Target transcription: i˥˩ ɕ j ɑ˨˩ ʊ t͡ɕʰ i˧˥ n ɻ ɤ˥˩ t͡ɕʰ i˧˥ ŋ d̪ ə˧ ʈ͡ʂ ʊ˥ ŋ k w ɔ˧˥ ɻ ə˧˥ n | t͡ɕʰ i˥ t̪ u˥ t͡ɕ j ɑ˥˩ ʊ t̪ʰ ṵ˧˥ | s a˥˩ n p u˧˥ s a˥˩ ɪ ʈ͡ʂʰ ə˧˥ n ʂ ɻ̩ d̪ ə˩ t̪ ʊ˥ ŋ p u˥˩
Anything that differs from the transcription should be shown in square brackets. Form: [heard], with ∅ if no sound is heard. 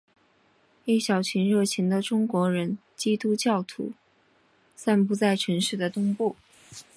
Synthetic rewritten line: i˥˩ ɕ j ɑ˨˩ ʊ t͡ɕʰ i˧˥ n ɻ ɤ˥˩ t͡ɕʰ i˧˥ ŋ d̪ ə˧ ʈ͡ʂ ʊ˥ ŋ k w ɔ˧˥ ɻ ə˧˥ n | [t͡ɕ] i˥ t̪ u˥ t͡ɕ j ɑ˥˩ ʊ t̪ʰ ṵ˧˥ | s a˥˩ n p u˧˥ [t͡s] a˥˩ ɪ ʈ͡ʂʰ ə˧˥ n ʂ ɻ̩ d̪ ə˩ t̪ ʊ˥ ŋ p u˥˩